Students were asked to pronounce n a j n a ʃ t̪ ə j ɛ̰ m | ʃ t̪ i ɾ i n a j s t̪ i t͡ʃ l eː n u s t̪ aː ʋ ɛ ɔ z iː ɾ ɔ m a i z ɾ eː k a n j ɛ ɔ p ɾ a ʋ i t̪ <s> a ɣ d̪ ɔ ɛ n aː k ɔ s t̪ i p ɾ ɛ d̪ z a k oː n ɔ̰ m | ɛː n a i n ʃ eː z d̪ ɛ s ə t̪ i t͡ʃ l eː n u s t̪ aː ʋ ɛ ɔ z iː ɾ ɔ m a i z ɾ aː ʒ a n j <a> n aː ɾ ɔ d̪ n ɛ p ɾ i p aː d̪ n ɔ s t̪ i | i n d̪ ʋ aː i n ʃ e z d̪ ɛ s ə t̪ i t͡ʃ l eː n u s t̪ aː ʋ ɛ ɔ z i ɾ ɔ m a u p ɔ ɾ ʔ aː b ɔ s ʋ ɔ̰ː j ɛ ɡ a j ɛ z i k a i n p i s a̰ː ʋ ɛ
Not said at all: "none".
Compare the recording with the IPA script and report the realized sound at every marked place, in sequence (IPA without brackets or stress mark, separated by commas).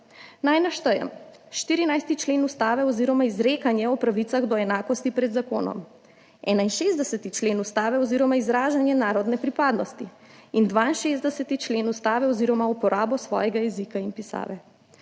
s, ɛ